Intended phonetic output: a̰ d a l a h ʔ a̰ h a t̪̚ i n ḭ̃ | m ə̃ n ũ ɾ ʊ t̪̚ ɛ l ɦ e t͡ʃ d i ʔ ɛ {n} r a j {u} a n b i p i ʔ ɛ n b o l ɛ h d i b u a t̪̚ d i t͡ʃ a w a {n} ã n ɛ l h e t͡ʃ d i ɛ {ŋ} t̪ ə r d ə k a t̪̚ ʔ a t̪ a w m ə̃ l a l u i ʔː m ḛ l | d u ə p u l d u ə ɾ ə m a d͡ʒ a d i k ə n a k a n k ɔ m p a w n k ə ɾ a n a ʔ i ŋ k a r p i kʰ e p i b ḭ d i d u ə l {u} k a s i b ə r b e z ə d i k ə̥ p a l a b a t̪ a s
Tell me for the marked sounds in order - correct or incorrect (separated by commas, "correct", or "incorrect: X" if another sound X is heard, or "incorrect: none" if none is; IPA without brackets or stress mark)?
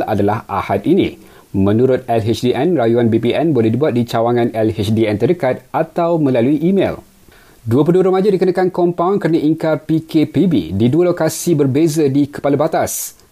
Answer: correct, correct, incorrect: ŋ, incorrect: n, incorrect: o